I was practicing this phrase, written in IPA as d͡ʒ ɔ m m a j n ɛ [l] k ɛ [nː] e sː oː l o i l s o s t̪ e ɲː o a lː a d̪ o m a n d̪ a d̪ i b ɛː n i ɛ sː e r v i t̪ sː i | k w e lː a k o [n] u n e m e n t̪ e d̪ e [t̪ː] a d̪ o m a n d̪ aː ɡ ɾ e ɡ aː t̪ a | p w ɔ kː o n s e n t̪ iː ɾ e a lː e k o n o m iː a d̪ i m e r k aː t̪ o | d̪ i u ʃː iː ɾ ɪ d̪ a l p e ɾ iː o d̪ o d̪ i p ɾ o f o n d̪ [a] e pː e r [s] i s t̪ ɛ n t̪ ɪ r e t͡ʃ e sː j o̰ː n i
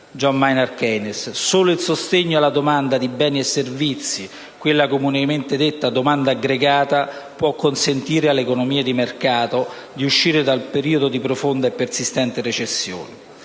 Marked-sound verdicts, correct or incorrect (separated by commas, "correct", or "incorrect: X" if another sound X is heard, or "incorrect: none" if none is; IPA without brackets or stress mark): incorrect: r, incorrect: n, incorrect: m, correct, correct, correct